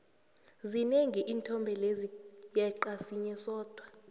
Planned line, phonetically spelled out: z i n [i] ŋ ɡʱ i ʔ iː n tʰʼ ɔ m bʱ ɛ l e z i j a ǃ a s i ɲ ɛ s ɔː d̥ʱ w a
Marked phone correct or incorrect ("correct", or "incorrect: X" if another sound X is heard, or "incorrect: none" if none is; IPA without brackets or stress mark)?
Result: incorrect: e